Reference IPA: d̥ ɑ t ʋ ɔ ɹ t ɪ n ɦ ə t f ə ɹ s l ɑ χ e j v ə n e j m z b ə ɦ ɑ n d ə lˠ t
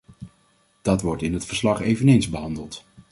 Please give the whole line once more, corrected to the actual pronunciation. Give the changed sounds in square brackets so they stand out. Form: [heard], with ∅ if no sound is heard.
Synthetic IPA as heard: d̥ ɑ t ʋ ɔ ɹ t ɪ n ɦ ə t f ə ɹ s l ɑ χ e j v ə n e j [n] z b ə ɦ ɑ n d ə lˠ t